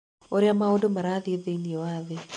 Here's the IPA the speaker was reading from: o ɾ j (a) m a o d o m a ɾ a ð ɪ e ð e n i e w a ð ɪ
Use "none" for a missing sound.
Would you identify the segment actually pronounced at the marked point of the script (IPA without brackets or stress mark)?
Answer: a